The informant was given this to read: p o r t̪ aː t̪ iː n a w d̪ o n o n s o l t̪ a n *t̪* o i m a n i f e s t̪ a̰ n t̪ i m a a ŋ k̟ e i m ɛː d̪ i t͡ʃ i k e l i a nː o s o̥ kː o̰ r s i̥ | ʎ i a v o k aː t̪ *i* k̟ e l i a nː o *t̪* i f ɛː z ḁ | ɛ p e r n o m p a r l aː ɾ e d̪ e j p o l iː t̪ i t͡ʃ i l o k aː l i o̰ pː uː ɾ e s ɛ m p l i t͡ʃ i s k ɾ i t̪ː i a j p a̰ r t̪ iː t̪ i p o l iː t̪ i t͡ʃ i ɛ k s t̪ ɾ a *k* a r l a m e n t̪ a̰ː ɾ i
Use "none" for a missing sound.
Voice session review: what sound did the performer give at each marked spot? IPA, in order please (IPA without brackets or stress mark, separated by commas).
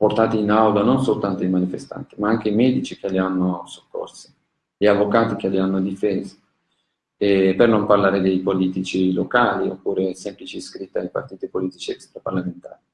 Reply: t̪, i, d̪, p